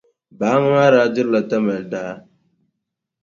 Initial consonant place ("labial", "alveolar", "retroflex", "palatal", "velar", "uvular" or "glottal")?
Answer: labial